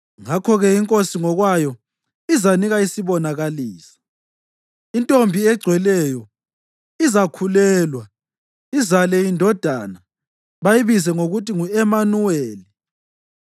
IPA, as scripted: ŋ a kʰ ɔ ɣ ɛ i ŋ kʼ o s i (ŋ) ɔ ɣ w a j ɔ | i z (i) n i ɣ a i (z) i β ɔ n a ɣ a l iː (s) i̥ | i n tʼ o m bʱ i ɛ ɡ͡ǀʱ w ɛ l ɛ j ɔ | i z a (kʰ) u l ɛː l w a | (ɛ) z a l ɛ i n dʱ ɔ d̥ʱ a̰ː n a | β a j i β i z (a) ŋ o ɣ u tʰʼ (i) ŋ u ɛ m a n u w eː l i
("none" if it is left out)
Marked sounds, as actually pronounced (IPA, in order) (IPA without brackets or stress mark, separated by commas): ŋ, a, s, s, kʰ, i, ɛ, i